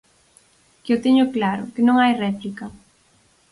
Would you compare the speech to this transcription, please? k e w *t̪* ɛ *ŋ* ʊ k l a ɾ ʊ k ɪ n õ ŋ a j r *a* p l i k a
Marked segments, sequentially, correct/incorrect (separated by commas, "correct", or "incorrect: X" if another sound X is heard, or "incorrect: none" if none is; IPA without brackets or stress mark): correct, incorrect: ɲ, incorrect: ɛ